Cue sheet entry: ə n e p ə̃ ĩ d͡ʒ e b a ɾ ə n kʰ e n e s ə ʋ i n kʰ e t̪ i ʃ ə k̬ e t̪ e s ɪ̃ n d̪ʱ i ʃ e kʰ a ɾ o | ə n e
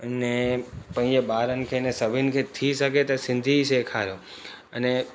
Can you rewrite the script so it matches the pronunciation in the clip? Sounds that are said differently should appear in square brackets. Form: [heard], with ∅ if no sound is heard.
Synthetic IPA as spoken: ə n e p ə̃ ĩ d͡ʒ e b a ɾ ə n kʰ e n e s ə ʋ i n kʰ e [t̪ʰ] i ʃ ə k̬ e t̪ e s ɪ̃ n d̪ʱ i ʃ e kʰ a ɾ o | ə n e